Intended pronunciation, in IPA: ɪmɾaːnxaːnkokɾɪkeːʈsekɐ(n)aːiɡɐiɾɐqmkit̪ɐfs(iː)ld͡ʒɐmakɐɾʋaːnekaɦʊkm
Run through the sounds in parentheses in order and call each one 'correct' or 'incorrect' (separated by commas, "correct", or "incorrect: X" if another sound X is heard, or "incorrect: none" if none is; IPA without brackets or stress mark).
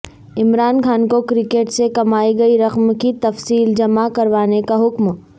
incorrect: m, correct